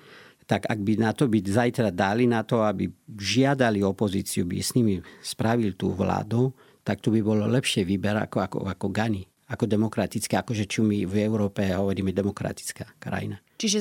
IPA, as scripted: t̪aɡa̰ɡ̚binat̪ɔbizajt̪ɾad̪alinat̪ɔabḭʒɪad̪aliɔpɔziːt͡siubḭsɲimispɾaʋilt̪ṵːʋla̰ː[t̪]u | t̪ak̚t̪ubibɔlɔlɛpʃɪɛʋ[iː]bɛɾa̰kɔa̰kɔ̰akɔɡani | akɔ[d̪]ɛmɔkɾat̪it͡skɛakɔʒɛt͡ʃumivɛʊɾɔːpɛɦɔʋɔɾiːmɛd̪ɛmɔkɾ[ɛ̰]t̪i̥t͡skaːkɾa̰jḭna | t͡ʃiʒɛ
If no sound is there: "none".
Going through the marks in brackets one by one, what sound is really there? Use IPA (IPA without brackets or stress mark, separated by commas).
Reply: d̪, iː, d̪, a̰